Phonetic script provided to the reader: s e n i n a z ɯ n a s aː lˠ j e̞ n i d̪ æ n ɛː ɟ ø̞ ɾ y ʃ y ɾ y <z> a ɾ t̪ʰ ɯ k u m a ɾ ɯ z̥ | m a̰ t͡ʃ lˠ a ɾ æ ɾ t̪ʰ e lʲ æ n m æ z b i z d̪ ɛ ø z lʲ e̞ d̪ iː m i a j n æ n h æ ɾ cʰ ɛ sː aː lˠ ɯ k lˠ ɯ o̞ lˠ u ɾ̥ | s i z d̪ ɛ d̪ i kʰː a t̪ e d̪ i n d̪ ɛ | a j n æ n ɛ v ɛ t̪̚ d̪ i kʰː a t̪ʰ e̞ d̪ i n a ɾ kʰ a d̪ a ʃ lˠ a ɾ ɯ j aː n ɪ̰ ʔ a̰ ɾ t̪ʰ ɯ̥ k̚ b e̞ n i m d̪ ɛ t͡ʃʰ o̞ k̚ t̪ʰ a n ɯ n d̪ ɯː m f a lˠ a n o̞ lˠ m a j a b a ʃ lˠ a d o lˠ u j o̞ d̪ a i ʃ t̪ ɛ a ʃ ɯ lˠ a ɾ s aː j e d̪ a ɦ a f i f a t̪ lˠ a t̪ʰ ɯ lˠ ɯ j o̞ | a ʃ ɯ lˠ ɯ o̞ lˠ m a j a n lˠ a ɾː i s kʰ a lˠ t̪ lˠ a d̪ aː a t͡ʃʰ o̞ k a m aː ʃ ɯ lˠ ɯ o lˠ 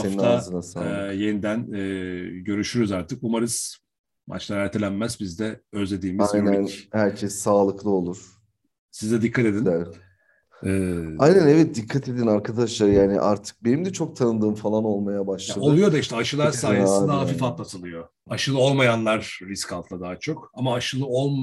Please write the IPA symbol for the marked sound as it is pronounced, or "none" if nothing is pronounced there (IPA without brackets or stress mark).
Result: z